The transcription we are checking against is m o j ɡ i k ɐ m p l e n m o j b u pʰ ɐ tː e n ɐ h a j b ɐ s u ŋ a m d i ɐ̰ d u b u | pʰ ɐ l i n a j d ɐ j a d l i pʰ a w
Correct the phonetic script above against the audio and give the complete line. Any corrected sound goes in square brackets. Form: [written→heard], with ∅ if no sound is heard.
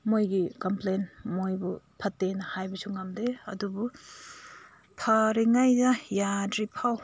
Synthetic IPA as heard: m o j ɡ i k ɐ m p l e n m o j b u pʰ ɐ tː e n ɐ h a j b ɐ s u ŋ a m d [i→e] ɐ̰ d u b u | pʰ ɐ [l→ɾ] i [n→ŋ] a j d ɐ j a d [l→ɾ] i pʰ a w